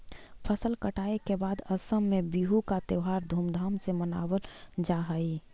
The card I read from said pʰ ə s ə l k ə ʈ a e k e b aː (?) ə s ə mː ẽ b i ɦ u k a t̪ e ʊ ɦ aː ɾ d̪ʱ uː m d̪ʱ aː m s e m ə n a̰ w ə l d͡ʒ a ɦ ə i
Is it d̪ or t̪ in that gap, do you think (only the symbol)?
d̪